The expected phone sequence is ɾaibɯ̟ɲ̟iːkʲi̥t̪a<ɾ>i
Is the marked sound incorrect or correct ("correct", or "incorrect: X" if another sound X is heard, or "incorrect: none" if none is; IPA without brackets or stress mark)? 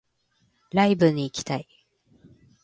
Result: incorrect: none